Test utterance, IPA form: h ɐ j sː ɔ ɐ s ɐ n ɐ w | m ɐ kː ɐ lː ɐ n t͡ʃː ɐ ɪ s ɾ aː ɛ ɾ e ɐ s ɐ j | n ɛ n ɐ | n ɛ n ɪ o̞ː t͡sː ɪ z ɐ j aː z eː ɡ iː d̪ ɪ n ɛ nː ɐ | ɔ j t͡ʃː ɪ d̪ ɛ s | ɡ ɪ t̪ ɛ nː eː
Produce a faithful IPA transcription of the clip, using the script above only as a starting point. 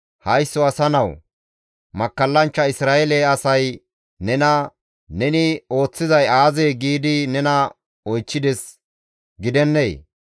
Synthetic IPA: h ɐ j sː ɔ ɐ s ɐ n ɐ w | m ɐ kː ɐ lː ɐ n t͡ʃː ɐ ɪ s ɾ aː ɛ l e ɐ s ɐ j | n ɛ n ɐ | n ɛ n ɪ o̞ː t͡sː ɪ z ɐ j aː z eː ɡ iː d̪ ɪ n ɛ n ɐ | ɔ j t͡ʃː ɪ d̪ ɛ s | ɡ ɪ d̪ ɛ nː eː